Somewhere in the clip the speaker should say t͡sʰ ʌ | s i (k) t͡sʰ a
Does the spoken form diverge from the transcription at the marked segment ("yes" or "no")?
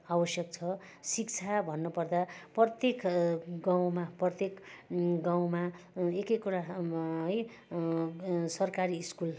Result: no